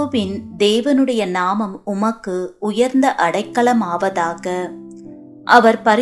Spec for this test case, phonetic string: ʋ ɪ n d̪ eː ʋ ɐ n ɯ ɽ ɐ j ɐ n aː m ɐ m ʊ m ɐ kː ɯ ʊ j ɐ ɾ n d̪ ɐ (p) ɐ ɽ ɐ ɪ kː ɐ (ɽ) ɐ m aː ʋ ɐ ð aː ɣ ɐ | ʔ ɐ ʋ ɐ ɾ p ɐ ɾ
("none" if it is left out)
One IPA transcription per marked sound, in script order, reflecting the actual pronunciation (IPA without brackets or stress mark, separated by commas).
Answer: ʔ, ɭ